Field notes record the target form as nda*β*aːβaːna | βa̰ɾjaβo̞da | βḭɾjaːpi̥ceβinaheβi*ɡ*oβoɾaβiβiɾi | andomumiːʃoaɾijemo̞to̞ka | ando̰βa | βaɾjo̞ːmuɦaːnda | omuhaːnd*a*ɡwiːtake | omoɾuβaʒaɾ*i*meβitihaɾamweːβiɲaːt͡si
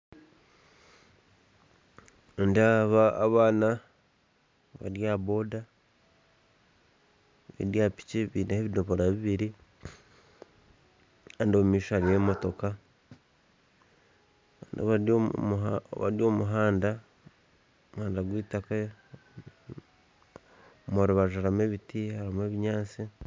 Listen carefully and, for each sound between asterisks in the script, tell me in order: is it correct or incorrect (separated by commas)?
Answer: correct, incorrect, correct, incorrect